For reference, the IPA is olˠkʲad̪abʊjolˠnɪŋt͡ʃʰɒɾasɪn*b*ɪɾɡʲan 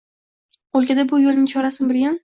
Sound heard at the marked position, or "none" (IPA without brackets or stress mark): b